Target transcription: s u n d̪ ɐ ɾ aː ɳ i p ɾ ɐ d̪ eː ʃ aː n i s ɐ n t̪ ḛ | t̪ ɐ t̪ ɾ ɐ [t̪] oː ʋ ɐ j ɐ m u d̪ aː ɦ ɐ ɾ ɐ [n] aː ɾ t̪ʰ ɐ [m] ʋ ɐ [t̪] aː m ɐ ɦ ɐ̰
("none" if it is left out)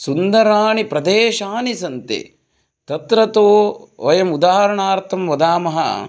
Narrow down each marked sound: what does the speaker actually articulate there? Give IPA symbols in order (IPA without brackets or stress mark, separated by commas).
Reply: t̪, ɳ, m, d̪